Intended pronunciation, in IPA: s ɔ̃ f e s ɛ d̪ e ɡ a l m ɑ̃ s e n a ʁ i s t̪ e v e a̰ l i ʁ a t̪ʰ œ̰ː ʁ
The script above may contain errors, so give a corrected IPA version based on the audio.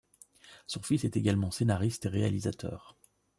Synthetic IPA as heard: s ɔ̃ f i s ɛ t̪ e ɡ a l m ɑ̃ s e n a ʁ i s t̪ e ʁ e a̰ l i z a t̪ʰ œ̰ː ʁ